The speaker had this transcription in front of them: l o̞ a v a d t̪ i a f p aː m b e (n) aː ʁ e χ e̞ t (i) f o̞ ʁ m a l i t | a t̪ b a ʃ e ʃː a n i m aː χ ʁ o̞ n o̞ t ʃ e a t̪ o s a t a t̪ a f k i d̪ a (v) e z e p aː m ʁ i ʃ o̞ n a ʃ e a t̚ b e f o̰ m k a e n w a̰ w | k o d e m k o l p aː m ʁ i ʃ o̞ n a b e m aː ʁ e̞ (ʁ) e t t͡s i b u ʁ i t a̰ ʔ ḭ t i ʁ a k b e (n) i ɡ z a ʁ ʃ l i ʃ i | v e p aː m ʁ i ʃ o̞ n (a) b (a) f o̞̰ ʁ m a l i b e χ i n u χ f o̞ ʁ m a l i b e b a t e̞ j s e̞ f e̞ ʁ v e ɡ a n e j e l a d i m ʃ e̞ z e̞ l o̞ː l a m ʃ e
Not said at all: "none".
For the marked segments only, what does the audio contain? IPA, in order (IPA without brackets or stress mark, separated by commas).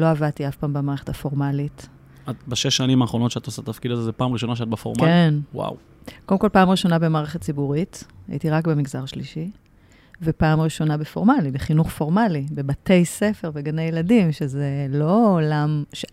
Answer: m, a, z, χ, m, a, e